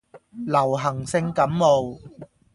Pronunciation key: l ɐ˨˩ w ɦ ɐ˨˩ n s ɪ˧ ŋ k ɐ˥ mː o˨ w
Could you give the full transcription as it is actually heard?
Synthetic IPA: l ɐ˨˩ w ɦ ɐ˨˩ ŋ s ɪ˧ ŋ k ɐ˨˥ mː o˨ w